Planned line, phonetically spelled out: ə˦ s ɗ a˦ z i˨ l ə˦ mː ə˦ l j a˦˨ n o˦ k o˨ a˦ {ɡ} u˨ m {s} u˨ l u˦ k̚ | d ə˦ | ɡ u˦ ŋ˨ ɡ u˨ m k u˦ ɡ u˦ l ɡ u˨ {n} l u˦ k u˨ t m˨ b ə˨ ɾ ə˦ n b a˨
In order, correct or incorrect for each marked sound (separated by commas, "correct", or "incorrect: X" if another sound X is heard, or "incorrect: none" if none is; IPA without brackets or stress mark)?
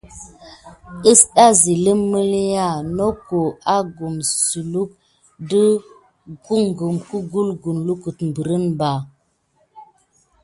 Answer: correct, correct, correct